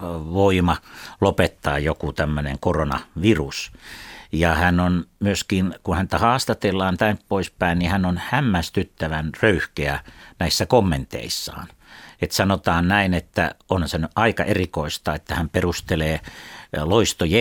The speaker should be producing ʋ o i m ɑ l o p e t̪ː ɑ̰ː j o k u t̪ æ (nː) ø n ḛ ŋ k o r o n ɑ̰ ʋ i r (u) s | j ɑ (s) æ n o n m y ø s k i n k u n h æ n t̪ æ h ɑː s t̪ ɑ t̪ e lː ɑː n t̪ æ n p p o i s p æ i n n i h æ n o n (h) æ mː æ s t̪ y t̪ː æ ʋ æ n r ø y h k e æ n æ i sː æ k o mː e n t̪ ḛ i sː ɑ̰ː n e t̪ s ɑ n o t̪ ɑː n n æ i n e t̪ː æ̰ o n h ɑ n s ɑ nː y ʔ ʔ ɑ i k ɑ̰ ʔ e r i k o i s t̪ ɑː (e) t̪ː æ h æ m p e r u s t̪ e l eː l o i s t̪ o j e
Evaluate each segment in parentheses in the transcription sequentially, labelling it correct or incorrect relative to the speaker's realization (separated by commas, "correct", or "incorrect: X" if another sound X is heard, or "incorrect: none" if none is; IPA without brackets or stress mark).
incorrect: mː, correct, incorrect: h, correct, correct